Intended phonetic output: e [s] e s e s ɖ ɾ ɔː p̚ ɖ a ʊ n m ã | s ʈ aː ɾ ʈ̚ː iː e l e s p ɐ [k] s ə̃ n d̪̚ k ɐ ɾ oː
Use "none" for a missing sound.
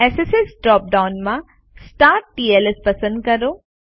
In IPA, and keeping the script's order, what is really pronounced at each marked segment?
s, none

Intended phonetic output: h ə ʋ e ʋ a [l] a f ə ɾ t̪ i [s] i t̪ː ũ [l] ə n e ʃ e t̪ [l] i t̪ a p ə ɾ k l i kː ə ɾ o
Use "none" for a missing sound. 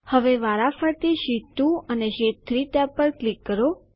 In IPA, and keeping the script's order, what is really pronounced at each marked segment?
ɾ, ʃ, none, ɾ

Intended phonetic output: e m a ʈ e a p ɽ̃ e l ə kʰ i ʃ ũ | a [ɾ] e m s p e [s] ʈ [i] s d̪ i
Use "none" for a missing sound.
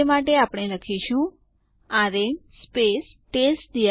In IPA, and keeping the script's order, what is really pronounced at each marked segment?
ɾ, s, e

